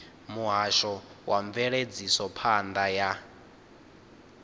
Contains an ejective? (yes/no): no